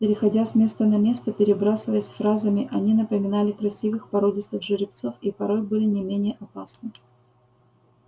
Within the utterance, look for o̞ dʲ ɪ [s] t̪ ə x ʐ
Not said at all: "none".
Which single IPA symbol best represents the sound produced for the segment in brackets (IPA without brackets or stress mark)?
s